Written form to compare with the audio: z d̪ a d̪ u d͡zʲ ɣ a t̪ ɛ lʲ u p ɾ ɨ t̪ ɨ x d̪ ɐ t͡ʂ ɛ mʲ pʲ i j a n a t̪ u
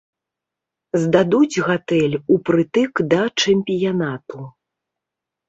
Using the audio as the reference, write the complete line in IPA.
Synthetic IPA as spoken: z d̪ a d̪ u d͡zʲ ɣ a t̪ ɛ lʲ u p ɾ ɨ t̪ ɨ k d̪ ɐ t͡ʂ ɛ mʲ pʲ i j a n a t̪ u